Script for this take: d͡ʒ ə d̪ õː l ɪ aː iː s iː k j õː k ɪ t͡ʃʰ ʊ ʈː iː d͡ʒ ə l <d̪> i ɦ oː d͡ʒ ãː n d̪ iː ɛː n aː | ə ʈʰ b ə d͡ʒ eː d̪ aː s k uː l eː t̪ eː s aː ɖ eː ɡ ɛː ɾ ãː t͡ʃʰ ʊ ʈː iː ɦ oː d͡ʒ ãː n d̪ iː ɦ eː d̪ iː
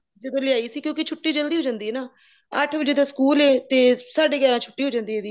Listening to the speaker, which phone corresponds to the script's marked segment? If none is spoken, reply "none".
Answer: d̪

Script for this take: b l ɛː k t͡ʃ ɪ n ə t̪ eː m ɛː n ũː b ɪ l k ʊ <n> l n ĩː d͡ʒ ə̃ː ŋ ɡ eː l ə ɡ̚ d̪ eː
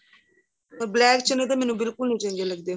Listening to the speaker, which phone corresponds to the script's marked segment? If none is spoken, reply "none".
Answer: none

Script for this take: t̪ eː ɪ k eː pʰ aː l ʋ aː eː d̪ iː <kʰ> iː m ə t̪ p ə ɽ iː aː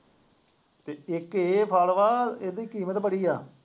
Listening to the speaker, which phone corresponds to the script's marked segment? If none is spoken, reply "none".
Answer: k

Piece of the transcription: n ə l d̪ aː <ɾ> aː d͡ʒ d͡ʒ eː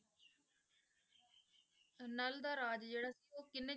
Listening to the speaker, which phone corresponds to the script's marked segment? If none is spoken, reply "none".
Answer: ɾ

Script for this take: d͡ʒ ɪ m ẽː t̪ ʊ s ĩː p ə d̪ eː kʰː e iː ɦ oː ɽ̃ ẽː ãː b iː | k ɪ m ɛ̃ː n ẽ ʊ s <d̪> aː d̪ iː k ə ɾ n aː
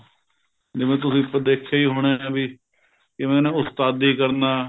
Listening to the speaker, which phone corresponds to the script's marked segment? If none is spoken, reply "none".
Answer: t̪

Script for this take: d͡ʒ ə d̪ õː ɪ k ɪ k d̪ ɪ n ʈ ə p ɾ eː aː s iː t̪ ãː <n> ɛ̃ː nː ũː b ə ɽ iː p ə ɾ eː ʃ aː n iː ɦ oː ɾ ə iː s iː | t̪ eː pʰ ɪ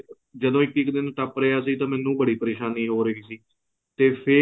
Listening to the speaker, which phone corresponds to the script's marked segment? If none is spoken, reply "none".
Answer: m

